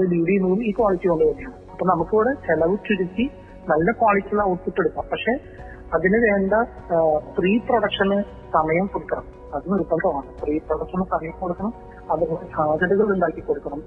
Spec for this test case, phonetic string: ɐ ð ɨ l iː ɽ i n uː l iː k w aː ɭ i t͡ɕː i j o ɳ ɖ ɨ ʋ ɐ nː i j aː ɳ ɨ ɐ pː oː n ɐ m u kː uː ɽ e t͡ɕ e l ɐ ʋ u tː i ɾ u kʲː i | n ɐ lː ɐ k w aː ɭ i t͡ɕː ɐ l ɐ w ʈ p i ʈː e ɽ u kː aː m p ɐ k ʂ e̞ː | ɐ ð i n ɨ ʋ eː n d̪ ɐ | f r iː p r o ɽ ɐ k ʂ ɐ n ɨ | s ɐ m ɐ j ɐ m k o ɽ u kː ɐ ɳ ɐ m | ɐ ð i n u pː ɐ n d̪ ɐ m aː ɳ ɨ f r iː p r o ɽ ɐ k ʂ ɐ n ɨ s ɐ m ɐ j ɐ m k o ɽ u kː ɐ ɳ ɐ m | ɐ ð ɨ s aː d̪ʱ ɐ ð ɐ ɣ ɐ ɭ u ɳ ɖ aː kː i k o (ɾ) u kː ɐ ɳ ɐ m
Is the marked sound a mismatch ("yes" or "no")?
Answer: yes